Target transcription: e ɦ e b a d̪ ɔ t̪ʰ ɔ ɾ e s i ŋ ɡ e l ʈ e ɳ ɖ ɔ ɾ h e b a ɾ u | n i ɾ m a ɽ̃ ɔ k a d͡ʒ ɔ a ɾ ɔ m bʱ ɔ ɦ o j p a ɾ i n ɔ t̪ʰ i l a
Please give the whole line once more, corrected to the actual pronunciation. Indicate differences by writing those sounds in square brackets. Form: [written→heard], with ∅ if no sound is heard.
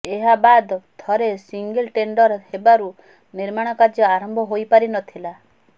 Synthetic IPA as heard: e ɦ [e→a] b a d̪ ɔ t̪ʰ ɔ ɾ e s i ŋ ɡ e l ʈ e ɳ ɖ ɔ ɾ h e b a ɾ u | n i ɾ m a ɽ̃ ɔ k a d͡ʒ ɔ a ɾ ɔ m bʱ ɔ ɦ o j p a ɾ i n ɔ t̪ʰ i l a

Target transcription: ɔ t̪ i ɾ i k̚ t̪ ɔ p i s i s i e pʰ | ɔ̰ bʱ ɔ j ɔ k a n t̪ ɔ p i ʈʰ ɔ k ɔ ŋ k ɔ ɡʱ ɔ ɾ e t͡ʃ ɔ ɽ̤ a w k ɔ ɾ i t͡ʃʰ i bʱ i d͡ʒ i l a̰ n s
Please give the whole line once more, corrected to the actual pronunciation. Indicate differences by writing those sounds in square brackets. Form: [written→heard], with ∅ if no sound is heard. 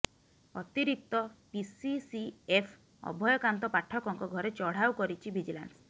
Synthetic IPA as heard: ɔ t̪ i ɾ i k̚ t̪ ɔ p i s i s i e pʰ | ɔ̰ bʱ ɔ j ɔ k a n t̪ ɔ p [i→a] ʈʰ ɔ k ɔ ŋ k ɔ ɡʱ ɔ ɾ e t͡ʃ ɔ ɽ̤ a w k ɔ ɾ i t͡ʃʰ i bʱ i d͡ʒ i l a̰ n s

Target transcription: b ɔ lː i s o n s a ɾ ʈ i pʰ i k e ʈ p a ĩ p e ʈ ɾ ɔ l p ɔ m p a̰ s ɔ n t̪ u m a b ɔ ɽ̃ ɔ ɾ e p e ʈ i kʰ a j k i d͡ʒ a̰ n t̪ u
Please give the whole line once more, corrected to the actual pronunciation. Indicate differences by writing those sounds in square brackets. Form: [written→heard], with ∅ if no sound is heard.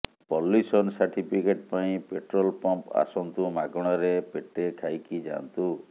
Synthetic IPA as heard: [b→p] ɔ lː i s [o→ɔ] n s a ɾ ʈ i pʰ i k e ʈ p a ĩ p e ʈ ɾ ɔ l p ɔ m p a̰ s ɔ n t̪ u m a [b→ɡ] ɔ ɽ̃ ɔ ɾ e p e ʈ [i→e] kʰ a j k i d͡ʒ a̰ n t̪ u

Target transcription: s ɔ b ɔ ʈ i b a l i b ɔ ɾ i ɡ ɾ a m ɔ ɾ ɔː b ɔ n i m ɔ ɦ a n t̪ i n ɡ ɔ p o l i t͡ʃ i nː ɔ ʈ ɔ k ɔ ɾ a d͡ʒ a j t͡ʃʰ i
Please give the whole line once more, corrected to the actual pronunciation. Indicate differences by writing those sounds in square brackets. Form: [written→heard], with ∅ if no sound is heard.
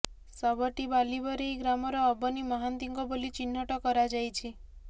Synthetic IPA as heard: s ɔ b ɔ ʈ i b a l i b ɔ ɾ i ɡ ɾ a m ɔ ɾ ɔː b ɔ n i m ɔ ɦ a n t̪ i [n→ŋ] ɡ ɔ [p→b] o l i t͡ʃ i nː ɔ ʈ ɔ k ɔ ɾ a d͡ʒ a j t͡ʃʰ i

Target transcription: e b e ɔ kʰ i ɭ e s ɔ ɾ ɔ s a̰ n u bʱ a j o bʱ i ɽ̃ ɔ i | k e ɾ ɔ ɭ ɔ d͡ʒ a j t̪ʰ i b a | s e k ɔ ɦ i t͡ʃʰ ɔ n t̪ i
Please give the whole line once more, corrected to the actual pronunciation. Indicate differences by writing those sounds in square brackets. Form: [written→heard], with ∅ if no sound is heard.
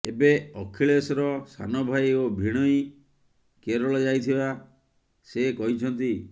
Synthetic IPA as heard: e b e ɔ kʰ i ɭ e s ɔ ɾ ɔ s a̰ n [u→ɔ] bʱ a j o bʱ i ɽ̃ ɔ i | k e ɾ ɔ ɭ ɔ d͡ʒ a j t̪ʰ i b a | s e k ɔ ɦ i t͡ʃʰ ɔ n t̪ i

